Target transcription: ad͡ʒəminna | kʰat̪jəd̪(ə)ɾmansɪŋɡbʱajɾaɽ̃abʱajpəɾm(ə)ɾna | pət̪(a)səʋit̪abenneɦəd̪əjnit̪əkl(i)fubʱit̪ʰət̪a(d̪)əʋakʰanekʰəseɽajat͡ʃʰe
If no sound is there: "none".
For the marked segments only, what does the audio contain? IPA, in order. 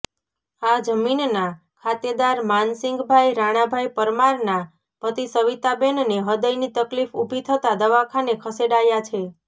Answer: a, a, i, i, d̪

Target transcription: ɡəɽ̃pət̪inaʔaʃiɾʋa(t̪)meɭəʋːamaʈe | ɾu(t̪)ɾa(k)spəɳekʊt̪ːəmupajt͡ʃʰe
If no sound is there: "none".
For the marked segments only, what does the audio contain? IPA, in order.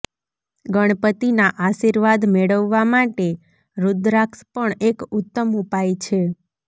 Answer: d̪, d̪, k

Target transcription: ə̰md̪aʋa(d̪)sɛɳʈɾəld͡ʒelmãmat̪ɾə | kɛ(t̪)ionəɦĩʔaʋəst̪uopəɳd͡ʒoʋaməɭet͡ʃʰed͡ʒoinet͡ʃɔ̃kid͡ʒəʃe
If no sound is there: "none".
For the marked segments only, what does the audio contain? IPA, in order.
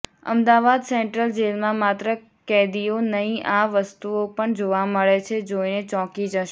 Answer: d̪, d̪

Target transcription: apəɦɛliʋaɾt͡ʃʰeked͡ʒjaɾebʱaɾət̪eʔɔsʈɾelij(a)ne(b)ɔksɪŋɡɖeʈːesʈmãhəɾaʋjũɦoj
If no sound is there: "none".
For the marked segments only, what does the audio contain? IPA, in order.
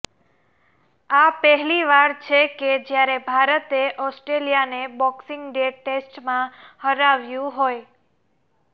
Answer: a, b

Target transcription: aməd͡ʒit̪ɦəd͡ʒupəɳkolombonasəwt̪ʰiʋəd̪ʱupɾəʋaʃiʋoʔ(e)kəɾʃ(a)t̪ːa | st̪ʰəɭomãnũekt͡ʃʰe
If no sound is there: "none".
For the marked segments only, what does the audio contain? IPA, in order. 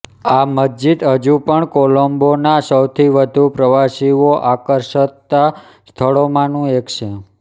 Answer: a, ə

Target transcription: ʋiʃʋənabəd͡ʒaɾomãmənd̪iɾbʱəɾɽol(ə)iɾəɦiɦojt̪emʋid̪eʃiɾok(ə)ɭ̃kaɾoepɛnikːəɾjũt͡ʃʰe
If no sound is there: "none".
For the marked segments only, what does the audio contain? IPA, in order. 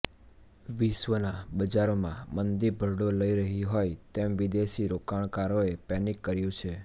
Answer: ə, a

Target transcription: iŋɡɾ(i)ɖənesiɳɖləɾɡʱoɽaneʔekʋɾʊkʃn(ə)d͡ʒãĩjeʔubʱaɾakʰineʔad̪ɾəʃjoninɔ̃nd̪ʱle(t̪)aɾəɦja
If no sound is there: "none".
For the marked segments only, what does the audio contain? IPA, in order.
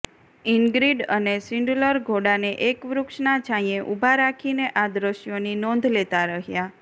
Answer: i, a, t̪

